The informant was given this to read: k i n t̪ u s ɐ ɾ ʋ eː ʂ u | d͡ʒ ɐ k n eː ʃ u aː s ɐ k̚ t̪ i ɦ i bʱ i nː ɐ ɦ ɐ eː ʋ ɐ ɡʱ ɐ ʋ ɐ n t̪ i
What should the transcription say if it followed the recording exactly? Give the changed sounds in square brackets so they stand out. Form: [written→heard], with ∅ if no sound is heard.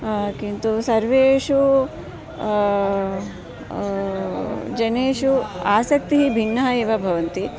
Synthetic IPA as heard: k i n t̪ u s ɐ ɾ ʋ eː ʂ u | d͡ʒ ɐ [k→∅] n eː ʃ u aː s ɐ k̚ t̪ i ɦ i bʱ i nː ɐ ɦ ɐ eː ʋ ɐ [ɡʱ→bʱ] ɐ ʋ ɐ n t̪ i